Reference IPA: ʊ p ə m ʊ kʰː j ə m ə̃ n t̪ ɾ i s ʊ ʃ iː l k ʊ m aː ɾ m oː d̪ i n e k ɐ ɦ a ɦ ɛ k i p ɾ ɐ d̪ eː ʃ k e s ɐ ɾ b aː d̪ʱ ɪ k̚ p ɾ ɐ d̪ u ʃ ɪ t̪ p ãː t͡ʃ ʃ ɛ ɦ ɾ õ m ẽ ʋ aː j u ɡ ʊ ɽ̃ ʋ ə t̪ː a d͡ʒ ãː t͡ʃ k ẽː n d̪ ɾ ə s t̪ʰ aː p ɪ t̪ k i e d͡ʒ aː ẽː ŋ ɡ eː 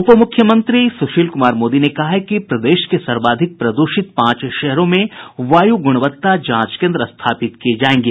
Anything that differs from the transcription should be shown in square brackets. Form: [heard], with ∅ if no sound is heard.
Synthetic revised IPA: ʊ p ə m ʊ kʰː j ə m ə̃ n t̪ ɾ i s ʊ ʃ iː l k ʊ m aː ɾ m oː d̪ i n e k ɐ ɦ a ɦ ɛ k i p ɾ ɐ d̪ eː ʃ k e s ɐ ɾ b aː d̪ʱ ɪ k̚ p ɾ ɐ d̪ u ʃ ɪ t̪ p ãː t͡ʃ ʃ ɛ ɦ ɾ õ m ẽ ʋ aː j u ɡ ʊ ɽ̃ ʋ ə t̪ː a d͡ʒ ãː t͡ʃ k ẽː n d̪ ɾ ə s t̪ʰ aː p ɪ t̪ k i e d͡ʒ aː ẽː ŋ ɡ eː